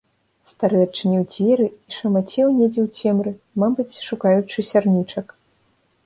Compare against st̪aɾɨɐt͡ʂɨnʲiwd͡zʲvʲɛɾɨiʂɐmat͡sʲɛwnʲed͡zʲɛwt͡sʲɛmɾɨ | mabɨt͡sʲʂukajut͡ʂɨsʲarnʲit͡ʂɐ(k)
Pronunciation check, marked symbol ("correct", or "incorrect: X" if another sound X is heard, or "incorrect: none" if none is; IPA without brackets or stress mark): correct